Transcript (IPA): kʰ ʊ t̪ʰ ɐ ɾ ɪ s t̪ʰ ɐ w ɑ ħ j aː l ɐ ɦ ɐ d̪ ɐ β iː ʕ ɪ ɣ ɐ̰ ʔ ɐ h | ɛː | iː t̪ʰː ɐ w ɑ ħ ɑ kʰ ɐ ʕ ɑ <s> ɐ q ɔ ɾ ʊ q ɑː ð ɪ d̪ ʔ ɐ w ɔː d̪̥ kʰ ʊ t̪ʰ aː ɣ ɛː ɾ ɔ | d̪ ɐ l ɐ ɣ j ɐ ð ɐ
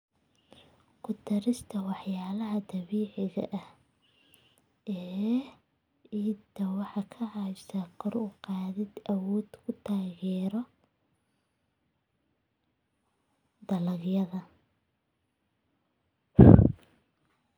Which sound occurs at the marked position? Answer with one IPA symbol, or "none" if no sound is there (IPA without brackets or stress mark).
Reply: s